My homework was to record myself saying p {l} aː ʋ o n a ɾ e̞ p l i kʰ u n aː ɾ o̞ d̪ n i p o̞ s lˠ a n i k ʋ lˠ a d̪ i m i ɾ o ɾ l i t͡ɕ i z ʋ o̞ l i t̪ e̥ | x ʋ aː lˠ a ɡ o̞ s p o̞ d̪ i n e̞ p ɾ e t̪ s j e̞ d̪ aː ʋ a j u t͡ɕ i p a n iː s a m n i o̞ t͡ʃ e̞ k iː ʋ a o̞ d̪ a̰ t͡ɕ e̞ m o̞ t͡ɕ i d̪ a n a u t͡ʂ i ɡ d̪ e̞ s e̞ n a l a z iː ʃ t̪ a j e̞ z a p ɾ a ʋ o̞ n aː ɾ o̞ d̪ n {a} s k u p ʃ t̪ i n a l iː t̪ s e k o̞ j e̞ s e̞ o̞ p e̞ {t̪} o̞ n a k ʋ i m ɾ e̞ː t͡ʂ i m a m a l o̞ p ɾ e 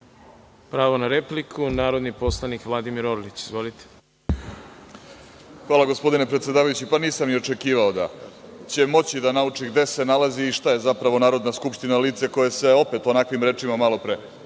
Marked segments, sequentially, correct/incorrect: incorrect, correct, correct

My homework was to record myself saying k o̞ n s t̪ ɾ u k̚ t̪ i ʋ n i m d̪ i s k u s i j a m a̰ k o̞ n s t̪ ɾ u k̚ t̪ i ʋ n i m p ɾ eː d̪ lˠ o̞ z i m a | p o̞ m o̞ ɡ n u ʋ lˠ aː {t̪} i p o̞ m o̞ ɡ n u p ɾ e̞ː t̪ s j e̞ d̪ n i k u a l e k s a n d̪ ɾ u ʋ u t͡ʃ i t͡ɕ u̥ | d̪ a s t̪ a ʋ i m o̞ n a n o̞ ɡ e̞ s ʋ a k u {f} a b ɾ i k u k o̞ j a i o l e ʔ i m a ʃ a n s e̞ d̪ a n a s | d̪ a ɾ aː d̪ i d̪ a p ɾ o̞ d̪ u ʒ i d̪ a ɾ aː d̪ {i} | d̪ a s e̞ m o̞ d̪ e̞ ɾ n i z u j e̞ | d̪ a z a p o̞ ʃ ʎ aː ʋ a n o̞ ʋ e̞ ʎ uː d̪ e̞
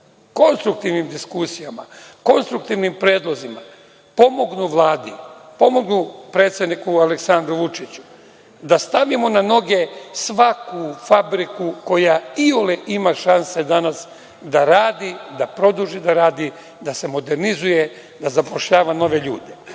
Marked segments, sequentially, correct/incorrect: incorrect, correct, correct

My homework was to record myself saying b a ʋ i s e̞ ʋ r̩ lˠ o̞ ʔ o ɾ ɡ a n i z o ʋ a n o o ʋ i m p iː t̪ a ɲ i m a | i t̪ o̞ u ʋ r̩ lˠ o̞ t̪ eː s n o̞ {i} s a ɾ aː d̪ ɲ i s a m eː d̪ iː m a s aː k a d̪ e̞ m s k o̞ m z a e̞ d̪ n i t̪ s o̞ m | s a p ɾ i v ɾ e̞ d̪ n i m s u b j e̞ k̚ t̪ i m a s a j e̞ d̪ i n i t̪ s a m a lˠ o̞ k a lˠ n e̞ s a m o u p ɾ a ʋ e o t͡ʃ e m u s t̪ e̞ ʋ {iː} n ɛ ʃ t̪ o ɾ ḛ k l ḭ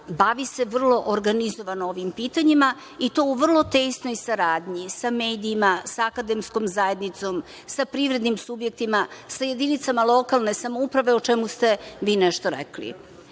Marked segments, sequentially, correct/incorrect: incorrect, correct

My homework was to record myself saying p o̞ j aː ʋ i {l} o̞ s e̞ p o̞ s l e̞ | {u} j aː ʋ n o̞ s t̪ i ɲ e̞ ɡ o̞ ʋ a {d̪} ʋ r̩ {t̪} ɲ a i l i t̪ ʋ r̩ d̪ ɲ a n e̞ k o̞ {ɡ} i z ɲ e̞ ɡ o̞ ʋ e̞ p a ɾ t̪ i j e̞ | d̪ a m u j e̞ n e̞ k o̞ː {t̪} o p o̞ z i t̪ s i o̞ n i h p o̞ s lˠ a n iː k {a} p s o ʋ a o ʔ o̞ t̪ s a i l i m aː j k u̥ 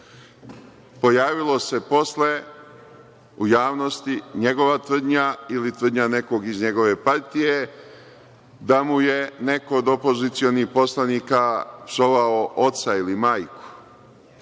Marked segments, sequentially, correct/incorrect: correct, correct, incorrect, incorrect, correct, incorrect, correct

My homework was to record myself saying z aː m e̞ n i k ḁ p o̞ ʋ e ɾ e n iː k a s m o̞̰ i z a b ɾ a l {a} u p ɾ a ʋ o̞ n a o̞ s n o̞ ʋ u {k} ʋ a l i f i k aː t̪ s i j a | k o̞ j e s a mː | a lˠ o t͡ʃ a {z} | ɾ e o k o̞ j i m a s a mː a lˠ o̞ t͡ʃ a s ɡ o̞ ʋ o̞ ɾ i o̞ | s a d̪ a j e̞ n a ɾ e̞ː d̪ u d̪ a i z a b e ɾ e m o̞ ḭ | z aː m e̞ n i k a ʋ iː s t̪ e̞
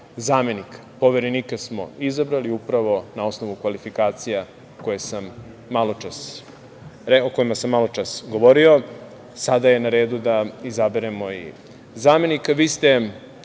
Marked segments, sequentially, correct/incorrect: incorrect, correct, incorrect

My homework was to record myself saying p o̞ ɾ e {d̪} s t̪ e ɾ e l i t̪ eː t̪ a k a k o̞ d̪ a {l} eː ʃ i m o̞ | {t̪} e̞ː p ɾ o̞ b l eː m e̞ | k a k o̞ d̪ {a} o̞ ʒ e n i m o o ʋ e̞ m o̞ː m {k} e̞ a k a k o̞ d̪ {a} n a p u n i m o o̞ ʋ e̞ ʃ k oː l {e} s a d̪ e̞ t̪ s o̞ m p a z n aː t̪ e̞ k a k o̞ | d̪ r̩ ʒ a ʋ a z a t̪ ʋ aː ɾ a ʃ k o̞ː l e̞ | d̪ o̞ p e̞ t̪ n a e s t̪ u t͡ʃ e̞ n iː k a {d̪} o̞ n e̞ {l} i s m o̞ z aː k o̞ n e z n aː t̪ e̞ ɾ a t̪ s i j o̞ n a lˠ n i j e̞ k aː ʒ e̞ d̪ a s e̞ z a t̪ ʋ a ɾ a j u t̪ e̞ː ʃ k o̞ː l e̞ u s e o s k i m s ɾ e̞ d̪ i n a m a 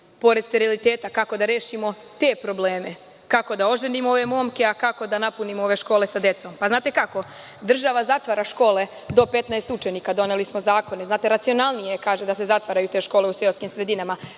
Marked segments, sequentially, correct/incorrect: correct, incorrect, correct, correct, correct, correct, correct, correct, correct

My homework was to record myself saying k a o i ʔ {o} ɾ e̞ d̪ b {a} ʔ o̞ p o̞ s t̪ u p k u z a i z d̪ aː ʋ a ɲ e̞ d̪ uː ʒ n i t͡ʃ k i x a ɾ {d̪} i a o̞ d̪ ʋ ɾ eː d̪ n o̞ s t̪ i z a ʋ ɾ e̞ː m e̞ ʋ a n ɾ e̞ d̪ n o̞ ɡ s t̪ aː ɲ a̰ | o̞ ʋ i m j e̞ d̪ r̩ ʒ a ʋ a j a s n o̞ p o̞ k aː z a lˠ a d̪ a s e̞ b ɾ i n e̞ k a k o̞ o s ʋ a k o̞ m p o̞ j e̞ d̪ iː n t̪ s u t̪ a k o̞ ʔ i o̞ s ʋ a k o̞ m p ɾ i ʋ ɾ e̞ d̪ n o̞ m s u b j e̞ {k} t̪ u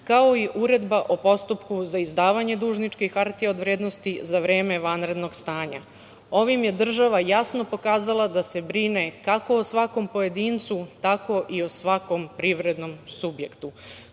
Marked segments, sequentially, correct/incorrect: incorrect, correct, incorrect, correct

